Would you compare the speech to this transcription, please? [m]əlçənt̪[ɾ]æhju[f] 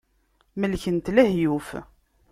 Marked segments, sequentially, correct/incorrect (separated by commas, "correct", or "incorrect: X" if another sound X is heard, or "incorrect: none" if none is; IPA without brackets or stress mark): correct, incorrect: l, correct